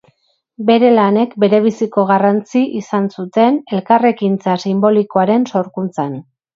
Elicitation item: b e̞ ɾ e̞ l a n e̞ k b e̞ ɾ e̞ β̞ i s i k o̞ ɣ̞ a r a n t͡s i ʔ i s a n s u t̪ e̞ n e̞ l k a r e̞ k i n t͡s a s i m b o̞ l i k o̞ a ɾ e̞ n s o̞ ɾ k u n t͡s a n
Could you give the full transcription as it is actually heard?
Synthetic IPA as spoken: b e̞ ɾ e̞ l a n e̞ k b e̞ ɾ e̞ β̞ i s i k o̞ ɣ̞ a r a n t͡s i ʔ i s a n s u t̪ e̞ n e̞ l k a r e̞ k i n t͡s a s i m b o̞ l i k o̞ a ɾ e̞ n s o̞ ɾ k u n t͡s a n